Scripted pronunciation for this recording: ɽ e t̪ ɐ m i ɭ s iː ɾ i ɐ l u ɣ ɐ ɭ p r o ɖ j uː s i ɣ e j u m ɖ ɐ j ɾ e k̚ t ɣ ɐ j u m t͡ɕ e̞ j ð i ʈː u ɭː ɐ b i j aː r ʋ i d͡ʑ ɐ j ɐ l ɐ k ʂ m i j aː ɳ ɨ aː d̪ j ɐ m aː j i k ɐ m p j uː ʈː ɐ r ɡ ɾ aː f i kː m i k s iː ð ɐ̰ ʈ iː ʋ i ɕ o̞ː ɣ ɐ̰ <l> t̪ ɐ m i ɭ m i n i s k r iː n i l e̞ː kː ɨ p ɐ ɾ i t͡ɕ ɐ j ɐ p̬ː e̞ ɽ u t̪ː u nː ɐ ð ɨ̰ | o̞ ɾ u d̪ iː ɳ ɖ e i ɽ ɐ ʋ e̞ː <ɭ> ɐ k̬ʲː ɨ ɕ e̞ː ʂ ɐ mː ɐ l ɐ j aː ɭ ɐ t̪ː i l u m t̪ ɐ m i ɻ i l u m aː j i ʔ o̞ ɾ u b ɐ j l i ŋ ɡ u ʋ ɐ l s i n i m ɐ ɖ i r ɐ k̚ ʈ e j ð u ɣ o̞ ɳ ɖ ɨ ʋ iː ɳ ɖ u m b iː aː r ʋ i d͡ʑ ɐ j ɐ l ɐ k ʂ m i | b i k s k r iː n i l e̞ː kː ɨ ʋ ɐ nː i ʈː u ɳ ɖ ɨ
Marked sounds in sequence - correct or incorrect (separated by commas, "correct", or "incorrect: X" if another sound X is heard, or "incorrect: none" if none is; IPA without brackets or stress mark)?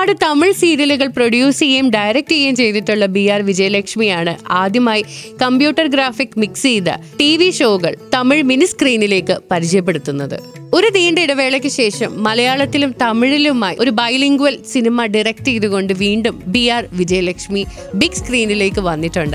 incorrect: ɭ, correct